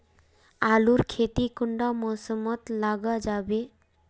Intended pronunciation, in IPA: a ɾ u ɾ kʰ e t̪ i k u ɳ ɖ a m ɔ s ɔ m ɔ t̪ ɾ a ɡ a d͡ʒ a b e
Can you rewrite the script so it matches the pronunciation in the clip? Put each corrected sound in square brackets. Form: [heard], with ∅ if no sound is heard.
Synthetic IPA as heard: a [l] u ɾ kʰ e t̪ i k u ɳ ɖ a m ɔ s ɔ m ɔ t̪ [l] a ɡ a d͡ʒ a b e